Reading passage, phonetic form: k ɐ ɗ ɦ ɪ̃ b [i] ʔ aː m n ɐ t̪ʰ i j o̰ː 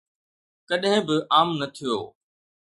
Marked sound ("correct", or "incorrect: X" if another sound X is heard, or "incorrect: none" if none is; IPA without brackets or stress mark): incorrect: ɪ